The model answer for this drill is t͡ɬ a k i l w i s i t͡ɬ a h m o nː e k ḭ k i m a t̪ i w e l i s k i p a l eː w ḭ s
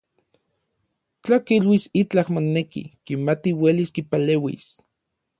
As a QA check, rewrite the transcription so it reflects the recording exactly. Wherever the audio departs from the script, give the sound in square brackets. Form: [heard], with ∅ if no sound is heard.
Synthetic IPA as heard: t͡ɬ a k i l w i s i t͡ɬ a h m o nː e k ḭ k i m a t̪ i w e l i s k i p a l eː w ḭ s